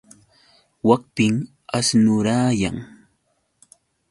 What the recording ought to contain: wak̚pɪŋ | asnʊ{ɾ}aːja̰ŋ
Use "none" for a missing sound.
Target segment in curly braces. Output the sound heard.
ɾ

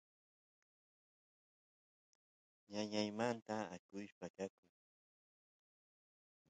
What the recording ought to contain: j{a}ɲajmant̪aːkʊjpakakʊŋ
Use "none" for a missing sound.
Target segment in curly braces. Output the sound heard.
a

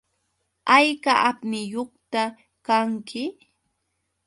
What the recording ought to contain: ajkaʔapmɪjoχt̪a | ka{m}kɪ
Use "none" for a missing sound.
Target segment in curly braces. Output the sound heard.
ŋ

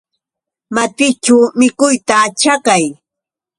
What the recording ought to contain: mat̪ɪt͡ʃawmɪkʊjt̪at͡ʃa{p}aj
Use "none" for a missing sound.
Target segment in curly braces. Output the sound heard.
k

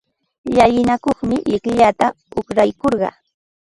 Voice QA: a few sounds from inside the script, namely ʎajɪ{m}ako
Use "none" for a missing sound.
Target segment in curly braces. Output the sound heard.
n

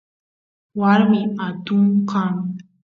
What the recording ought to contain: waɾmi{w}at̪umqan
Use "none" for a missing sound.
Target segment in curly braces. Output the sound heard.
none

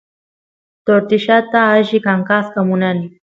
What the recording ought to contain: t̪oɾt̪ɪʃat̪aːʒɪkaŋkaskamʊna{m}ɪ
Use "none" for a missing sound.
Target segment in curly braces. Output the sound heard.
n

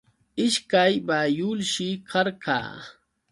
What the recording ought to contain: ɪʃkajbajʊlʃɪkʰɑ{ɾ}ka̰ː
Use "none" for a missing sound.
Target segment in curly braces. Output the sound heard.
ɾ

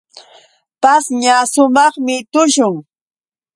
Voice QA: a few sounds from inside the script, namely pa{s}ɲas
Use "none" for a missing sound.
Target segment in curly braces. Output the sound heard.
s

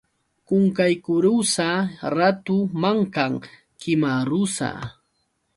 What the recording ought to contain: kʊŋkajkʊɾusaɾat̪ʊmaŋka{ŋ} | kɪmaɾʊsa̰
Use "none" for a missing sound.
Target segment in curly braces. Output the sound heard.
ŋ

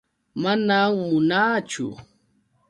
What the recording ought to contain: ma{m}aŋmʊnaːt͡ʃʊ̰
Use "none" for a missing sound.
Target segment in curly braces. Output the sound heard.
n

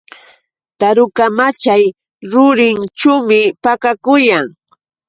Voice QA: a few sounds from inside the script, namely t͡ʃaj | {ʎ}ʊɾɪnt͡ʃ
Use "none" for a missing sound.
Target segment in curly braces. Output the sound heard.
ɾ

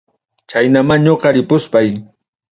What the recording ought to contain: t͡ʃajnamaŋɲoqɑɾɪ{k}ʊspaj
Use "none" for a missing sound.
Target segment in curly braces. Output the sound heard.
p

